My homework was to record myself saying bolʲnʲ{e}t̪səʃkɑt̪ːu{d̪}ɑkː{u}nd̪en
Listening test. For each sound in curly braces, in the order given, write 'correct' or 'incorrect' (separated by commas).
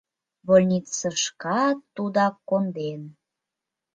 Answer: incorrect, correct, incorrect